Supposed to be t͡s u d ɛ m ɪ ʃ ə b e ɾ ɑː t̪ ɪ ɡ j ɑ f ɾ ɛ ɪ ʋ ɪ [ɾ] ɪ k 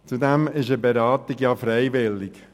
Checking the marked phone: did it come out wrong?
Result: yes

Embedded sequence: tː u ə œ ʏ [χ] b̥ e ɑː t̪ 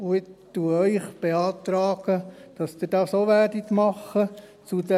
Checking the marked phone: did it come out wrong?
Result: no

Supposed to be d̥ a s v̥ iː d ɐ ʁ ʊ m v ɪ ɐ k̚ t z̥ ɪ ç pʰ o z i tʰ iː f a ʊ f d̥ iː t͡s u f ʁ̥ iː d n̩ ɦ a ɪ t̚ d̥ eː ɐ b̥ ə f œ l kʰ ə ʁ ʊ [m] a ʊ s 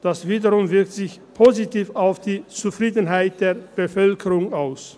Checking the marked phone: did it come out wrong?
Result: yes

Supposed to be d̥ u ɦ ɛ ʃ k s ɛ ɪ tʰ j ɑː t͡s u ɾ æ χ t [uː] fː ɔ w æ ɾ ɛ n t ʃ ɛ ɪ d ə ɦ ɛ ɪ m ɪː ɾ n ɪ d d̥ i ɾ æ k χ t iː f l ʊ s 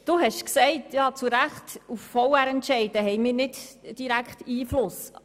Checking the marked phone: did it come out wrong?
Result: yes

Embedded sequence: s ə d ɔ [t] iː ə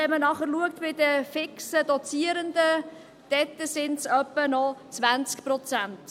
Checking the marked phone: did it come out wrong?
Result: yes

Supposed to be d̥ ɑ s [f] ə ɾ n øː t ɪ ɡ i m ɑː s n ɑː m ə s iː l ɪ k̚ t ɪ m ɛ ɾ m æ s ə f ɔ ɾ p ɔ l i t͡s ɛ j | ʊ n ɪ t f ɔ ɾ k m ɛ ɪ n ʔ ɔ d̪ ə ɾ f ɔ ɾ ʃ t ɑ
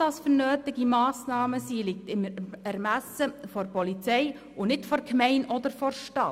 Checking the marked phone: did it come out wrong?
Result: no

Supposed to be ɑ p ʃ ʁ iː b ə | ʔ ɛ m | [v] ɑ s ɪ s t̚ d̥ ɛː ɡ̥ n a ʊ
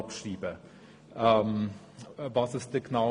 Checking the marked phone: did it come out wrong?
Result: no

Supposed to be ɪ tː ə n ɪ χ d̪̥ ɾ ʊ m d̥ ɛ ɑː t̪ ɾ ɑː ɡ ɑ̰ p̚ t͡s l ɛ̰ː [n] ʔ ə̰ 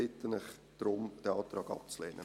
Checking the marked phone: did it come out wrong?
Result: no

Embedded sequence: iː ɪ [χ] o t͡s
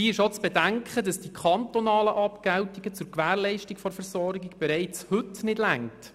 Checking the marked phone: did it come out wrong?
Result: yes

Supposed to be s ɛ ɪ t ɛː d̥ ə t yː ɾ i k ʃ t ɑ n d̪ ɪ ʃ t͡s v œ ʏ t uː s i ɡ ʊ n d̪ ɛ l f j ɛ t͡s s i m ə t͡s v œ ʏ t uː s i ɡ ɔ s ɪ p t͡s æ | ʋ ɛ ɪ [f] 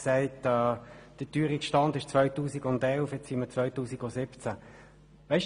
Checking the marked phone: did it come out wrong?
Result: yes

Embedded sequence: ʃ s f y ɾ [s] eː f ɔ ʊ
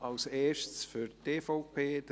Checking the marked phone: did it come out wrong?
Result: yes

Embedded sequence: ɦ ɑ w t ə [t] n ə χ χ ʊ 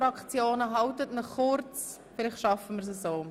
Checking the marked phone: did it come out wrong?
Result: no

